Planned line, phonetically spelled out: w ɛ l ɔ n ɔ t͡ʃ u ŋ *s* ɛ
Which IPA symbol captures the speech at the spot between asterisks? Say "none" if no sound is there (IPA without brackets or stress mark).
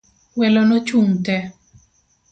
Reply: t